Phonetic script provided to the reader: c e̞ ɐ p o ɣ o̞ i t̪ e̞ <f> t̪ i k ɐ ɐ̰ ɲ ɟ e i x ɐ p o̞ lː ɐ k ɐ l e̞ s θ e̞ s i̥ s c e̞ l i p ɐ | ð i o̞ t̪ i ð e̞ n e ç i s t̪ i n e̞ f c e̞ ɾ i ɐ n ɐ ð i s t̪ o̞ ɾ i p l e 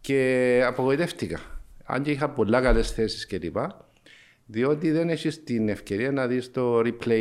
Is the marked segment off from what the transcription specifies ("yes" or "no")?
no